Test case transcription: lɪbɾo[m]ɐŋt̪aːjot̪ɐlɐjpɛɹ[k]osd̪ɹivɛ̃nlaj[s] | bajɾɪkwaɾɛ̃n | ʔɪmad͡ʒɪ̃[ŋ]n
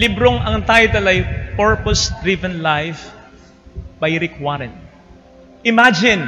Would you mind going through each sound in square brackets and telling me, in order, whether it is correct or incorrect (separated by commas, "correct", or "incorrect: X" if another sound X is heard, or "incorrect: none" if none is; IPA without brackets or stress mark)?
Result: incorrect: ŋ, incorrect: p, incorrect: f, incorrect: none